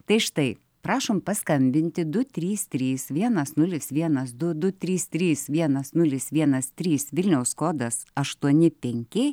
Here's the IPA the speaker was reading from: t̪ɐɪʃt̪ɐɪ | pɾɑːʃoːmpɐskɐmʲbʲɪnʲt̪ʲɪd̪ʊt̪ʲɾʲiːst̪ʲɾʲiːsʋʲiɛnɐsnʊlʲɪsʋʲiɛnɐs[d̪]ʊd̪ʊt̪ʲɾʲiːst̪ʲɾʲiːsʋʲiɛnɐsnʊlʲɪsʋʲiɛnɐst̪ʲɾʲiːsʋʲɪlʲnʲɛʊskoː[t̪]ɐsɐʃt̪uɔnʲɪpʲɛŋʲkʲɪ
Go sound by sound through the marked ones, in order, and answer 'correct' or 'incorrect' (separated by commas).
correct, incorrect